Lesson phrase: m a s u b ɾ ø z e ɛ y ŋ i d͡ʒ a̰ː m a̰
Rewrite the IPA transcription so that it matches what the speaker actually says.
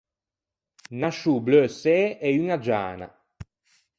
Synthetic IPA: n a ʃ u b l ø s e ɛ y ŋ a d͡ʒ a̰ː n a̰